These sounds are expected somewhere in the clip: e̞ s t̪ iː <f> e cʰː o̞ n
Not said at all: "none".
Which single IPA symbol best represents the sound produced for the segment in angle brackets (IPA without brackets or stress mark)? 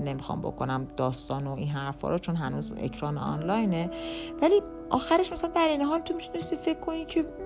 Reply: f